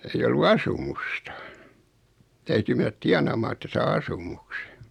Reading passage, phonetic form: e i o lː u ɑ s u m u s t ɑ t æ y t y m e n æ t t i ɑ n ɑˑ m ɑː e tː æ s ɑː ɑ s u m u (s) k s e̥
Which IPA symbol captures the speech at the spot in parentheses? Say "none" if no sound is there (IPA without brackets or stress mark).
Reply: none